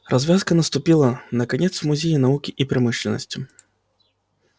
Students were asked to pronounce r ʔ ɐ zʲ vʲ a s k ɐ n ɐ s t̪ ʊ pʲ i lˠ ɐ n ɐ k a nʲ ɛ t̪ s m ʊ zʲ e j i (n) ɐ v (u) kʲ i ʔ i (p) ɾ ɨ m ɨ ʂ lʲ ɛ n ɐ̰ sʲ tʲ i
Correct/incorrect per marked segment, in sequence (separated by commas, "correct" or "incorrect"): correct, correct, correct